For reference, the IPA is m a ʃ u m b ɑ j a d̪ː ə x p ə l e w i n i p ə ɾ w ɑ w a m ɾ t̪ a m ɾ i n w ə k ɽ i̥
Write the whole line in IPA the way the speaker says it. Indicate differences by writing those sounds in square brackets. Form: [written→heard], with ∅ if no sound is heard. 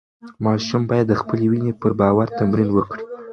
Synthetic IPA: m [a→ɑ] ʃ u m b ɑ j a d̪ː ə x p ə l e w i n [i→e] p ə ɾ [w→b] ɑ w a [m→∅] ɾ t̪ a m ɾ i n w ə k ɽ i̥